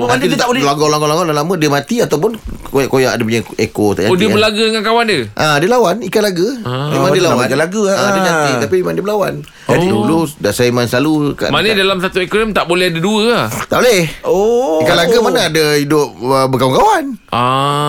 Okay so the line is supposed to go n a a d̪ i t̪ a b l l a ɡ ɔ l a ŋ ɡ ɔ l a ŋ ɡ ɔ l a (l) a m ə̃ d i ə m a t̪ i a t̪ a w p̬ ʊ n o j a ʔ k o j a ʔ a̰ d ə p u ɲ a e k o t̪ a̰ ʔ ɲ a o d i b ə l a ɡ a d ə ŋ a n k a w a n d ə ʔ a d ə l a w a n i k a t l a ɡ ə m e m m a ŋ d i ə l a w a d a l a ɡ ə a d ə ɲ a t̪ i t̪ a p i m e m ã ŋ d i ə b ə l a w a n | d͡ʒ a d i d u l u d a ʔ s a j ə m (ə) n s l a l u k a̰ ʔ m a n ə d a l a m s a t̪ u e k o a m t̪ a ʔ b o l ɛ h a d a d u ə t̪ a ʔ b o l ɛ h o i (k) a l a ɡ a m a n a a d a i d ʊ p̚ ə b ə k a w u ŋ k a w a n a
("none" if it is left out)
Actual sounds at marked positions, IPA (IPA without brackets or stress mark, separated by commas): l, a, k